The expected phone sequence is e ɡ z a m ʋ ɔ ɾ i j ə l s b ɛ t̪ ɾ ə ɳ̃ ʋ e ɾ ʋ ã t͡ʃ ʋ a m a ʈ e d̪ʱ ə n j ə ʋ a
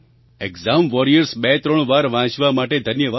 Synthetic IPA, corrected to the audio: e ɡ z a m ʋ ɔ ɾ i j ə ɾ s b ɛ t̪ ɾ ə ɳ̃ ʋ a ɾ ʋ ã t͡ʃ ʋ a m a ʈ e d̪ʱ ə n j ə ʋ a